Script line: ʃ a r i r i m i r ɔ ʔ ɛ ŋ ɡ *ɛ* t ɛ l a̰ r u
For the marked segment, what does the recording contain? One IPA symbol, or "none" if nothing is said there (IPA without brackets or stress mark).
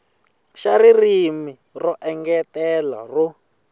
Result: ɛ